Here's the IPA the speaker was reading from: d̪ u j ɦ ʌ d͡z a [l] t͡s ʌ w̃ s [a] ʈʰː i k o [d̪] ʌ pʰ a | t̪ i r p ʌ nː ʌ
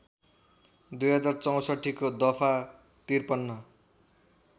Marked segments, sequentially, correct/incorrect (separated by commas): incorrect, incorrect, correct